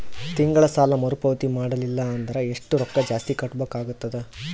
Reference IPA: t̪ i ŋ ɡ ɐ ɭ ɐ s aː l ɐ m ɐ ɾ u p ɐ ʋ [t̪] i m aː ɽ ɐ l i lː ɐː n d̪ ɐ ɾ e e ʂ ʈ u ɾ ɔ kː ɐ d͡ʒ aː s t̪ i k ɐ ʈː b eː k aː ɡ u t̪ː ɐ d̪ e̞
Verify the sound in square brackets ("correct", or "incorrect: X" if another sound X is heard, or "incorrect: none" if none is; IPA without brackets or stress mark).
correct